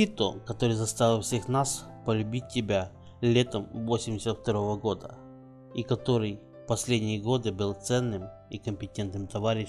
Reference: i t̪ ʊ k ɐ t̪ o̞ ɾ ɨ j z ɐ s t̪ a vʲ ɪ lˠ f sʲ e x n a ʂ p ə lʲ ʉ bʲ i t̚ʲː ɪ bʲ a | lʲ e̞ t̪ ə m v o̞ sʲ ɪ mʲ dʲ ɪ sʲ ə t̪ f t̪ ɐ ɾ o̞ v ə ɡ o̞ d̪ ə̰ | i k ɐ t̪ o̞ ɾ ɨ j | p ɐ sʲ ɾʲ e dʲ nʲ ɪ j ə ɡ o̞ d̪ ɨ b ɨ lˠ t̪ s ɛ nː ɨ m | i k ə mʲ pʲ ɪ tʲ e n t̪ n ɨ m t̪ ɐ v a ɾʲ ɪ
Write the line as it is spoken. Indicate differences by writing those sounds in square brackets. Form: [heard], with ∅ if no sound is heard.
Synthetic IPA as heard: i t̪ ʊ k ɐ t̪ o̞ ɾ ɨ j z ɐ s t̪ a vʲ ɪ lˠ f sʲ e x n a [s] p ə lʲ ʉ bʲ i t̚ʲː ɪ bʲ a | lʲ e̞ t̪ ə m v o̞ sʲ ɪ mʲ dʲ ɪ sʲ ə t̪ f t̪ ɐ ɾ o̞ v ə ɡ o̞ d̪ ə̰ | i k ɐ t̪ o̞ ɾ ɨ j | p ɐ sʲ [lʲ] e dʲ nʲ ɪ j ə ɡ o̞ d̪ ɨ b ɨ lˠ t̪ s ɛ nː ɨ m | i k ə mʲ pʲ ɪ tʲ e n t̪ n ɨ m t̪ ɐ v a ɾʲ ɪ